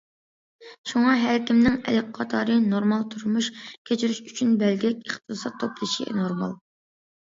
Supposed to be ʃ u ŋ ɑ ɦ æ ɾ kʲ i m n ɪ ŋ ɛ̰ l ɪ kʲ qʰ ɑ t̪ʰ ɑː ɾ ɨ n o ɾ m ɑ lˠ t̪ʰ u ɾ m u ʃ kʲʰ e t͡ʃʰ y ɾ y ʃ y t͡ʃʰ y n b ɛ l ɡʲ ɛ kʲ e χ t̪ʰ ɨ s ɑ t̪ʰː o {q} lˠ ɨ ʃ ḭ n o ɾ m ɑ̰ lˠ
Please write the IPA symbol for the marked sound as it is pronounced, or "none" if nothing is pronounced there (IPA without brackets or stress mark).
p